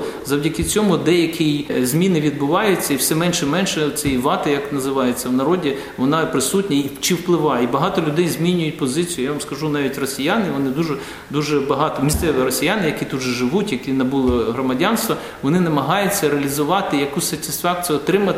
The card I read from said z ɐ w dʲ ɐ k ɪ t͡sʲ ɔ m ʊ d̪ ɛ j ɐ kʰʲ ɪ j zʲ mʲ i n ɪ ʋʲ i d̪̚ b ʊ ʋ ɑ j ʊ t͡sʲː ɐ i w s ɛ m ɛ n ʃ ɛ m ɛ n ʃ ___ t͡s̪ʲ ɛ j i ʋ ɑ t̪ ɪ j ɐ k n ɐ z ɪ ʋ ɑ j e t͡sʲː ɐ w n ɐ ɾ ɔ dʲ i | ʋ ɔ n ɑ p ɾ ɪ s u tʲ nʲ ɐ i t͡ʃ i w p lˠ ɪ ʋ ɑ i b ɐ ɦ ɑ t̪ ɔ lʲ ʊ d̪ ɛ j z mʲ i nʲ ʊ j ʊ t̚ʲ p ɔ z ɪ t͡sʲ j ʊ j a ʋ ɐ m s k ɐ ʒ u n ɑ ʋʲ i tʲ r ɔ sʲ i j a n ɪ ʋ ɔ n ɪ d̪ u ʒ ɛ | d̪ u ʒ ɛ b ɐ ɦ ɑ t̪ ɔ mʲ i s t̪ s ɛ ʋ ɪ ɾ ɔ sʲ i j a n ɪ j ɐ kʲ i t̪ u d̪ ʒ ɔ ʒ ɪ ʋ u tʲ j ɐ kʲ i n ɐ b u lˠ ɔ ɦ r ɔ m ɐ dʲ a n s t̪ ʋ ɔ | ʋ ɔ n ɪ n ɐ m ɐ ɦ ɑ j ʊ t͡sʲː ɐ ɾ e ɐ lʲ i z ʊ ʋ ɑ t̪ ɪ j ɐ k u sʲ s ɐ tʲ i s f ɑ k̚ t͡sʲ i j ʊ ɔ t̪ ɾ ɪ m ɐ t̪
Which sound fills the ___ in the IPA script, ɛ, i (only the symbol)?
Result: ɛ